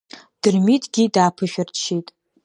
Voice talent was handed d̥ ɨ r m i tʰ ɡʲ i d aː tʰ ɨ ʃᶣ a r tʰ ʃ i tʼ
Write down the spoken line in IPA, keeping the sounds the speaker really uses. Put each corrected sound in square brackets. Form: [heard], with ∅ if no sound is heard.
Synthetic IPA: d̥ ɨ r m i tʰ ɡʲ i d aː [pʰ] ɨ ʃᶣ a r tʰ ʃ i tʼ